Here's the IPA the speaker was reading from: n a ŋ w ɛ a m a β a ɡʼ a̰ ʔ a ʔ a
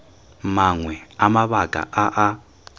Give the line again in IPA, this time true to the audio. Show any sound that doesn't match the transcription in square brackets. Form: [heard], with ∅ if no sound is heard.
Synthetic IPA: [m] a ŋ w ɛ a m a β a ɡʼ a̰ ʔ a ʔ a